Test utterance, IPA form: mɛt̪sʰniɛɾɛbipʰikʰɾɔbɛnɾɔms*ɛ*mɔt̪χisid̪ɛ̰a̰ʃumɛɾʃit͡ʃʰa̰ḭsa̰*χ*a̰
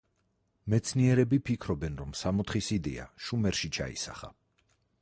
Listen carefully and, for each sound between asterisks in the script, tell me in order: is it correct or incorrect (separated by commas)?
incorrect, correct